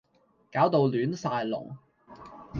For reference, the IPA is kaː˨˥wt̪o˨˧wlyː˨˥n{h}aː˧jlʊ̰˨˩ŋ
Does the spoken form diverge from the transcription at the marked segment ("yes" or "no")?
yes